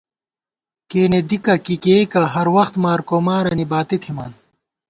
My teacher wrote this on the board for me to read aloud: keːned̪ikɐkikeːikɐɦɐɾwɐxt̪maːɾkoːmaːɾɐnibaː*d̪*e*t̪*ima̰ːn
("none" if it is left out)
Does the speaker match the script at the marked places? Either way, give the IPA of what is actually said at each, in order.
t̪, t̪ʰ

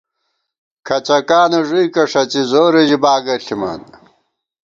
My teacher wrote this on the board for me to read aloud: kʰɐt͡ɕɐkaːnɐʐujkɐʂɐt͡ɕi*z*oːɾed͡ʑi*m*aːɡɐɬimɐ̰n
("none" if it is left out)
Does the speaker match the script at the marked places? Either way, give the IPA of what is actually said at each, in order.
z, b

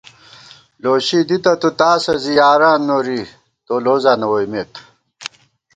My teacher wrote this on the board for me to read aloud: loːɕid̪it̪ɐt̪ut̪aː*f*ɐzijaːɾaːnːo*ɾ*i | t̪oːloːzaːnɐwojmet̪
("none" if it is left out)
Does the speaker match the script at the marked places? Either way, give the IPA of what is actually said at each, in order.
s, ɾ

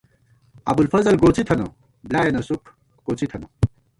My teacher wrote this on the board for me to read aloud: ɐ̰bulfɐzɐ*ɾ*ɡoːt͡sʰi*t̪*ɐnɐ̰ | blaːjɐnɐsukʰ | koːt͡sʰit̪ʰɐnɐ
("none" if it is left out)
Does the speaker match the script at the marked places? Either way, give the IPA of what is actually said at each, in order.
l, t̪ʰ

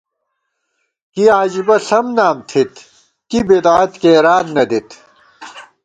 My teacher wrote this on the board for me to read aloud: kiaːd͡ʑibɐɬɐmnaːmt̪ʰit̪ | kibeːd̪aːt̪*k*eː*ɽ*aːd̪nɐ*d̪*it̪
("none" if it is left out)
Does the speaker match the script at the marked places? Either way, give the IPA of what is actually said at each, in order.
k, ɾ, d̪

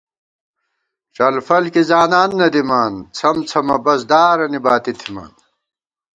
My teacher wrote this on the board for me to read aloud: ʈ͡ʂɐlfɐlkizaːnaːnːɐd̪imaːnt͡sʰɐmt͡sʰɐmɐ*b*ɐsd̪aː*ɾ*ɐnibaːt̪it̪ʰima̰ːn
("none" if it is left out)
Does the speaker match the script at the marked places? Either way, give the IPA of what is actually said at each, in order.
b, ɾ

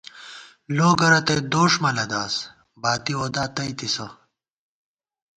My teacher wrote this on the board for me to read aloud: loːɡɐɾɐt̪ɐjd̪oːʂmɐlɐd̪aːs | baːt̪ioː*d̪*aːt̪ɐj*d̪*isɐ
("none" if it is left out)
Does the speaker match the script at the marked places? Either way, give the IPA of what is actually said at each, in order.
d̪, t̪

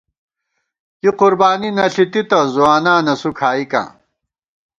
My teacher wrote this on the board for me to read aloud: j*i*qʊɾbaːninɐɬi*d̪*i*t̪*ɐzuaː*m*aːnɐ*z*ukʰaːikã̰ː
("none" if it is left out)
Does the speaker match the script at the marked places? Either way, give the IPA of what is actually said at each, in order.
i, t̪, t̪, n, s

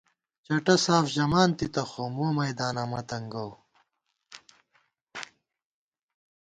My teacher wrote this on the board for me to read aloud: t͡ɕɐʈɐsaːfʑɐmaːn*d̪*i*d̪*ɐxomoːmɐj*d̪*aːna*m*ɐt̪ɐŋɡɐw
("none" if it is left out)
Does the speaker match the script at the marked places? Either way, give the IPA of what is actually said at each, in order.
t̪, t̪, d̪, m

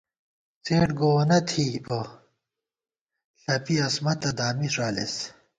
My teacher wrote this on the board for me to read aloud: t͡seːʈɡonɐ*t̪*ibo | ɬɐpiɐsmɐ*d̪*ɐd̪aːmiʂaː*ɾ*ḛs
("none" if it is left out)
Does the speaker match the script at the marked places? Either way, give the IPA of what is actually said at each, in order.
t̪ʰ, t̪, l

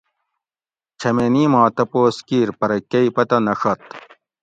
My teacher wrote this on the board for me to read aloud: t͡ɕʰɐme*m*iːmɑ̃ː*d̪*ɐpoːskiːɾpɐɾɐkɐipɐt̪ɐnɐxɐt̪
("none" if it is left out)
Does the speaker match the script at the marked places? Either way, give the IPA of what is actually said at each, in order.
n, t̪

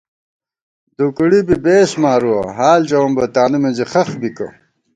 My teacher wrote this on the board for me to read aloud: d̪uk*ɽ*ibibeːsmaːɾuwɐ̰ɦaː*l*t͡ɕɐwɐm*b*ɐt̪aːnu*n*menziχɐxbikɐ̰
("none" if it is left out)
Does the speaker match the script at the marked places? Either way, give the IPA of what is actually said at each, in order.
ɽ, l, b, none

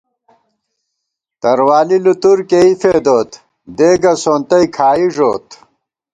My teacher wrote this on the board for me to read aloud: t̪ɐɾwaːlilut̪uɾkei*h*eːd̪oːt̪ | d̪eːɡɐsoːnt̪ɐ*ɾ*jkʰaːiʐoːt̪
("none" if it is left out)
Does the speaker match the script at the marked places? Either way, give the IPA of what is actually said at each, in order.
f, none

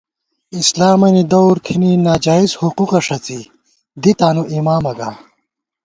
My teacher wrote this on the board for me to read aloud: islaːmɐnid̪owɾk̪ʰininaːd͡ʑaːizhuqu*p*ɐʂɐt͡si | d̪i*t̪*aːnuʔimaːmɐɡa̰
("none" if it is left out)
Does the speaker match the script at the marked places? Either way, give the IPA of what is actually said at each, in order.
q, t̪

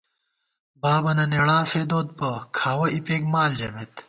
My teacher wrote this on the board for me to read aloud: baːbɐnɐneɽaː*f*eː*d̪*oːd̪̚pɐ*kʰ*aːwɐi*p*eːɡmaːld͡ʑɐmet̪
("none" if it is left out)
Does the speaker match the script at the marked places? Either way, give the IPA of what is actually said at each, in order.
f, d̪, kʰ, p

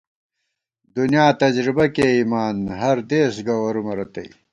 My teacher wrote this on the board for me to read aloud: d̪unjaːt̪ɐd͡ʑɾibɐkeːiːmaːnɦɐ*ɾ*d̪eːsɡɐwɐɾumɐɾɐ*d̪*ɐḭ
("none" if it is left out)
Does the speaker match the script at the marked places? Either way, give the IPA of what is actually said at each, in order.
ɾ, t̪

